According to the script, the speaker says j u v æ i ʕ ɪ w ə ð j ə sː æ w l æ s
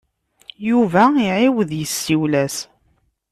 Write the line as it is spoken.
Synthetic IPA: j u v æ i ʕ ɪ w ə ð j ə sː i w l æ s